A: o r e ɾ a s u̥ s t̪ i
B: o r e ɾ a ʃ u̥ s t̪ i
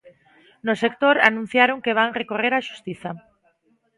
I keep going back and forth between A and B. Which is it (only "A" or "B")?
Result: B